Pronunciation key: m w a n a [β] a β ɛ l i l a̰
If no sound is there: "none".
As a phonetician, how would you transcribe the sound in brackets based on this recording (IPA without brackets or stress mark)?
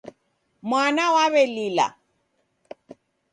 w